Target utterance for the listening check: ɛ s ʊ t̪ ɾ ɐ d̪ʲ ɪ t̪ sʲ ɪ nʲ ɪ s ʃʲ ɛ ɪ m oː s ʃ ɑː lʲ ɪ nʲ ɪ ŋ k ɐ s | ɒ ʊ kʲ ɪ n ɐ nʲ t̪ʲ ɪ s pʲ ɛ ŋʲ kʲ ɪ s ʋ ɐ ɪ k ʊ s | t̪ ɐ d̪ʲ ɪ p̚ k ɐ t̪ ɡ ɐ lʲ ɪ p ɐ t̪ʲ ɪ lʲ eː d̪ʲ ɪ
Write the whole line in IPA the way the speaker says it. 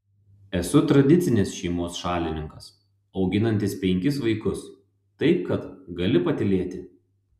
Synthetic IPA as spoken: ɛ s ʊ t̪ ɾ ɐ d̪ʲ ɪ t̪ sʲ ɪ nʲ ɪ s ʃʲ ɛ ɪ m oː s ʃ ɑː lʲ ɪ nʲ ɪ ŋ k ɐ s | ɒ ʊ ɡʲ ɪ n ɐ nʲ t̪ʲ ɪ s pʲ ɛ ŋʲ kʲ ɪ s ʋ ɐ ɪ k ʊ s | t̪ ɐ ɪ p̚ k ɐ t̪ ɡ ɐ lʲ ɪ p ɐ t̪ʲ ɪ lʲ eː t̪ʲ ɪ